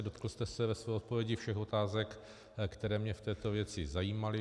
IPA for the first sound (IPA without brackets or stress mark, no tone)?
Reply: d